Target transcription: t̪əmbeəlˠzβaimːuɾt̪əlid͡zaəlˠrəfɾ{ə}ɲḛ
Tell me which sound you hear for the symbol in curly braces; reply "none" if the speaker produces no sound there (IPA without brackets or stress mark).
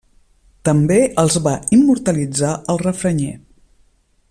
ə